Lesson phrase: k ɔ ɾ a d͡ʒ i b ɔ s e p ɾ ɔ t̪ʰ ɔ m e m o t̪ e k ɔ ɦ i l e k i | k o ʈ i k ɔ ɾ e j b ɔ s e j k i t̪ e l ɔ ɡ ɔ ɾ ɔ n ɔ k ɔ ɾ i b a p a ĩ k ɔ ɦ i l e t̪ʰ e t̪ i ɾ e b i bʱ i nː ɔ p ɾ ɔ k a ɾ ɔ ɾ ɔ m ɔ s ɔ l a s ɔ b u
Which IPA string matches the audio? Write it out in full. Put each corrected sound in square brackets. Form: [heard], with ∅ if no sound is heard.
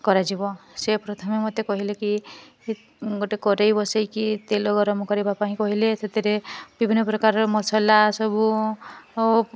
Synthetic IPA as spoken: k ɔ ɾ a d͡ʒ i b ɔ s e p ɾ ɔ t̪ʰ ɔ m e m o t̪ e k ɔ ɦ i l e k i | [ɡ] o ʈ [e] k ɔ ɾ e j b ɔ s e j k i t̪ e l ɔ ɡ ɔ ɾ ɔ [m] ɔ k ɔ ɾ i b a p a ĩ k ɔ ɦ i l e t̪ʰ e t̪ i ɾ e b i bʱ i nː ɔ p ɾ ɔ k a ɾ ɔ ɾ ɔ m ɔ s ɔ l a s ɔ b u